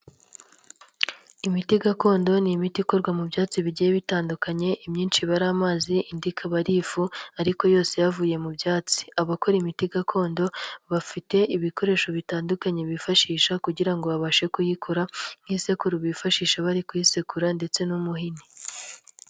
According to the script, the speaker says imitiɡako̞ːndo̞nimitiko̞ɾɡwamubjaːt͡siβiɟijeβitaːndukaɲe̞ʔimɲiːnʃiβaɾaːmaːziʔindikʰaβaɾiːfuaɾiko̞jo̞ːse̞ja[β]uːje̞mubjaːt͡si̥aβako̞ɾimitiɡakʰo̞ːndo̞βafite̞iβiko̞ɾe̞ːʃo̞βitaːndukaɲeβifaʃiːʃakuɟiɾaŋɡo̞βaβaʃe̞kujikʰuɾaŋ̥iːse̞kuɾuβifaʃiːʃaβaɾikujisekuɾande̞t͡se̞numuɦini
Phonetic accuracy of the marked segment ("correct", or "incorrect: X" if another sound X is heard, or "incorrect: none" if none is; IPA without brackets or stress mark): incorrect: v